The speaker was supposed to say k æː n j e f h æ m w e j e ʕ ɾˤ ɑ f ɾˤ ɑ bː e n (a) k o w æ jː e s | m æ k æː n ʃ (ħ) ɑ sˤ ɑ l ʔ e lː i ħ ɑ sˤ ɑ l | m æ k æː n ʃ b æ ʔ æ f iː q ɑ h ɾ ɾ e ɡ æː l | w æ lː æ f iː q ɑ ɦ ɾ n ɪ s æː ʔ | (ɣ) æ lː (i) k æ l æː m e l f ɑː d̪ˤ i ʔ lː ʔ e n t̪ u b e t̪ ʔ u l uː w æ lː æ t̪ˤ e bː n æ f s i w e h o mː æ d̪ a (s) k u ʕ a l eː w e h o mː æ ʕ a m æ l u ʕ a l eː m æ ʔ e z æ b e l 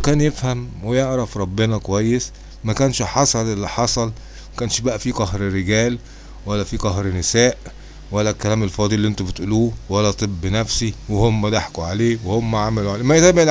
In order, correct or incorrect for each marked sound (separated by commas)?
incorrect, correct, incorrect, incorrect, incorrect